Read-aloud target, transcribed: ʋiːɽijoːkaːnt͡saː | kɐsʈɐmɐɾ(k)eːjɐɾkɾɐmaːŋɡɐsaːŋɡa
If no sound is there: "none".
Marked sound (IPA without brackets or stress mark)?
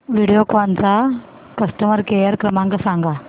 k